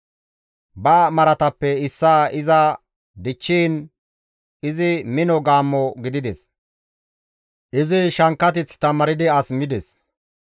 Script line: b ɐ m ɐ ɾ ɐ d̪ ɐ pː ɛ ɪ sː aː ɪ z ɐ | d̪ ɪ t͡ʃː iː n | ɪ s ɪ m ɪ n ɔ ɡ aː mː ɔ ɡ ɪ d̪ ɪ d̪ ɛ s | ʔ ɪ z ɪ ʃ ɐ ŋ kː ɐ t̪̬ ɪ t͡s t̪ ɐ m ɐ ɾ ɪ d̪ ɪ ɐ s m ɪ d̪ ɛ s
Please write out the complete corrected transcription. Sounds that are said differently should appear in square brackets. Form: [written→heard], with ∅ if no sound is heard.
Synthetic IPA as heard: b ɐ m ɐ ɾ ɐ [d̪→t̪] ɐ pː ɛ ɪ sː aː ɪ z ɐ | d̪ ɪ t͡ʃː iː n | ɪ [s→z] ɪ m ɪ n ɔ ɡ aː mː ɔ ɡ ɪ d̪ ɪ d̪ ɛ s | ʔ ɪ z ɪ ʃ ɐ ŋ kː ɐ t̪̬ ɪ t͡s t̪ ɐ m ɐ ɾ ɪ d̪ ɪ ɐ s m ɪ d̪ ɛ s